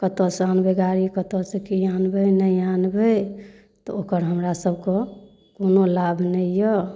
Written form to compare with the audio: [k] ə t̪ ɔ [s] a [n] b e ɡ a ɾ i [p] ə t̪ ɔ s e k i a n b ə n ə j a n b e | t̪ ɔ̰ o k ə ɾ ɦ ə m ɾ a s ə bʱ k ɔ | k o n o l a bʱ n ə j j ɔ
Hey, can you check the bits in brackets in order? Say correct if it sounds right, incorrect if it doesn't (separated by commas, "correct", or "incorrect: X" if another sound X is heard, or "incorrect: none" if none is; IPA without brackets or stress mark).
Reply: correct, correct, correct, incorrect: k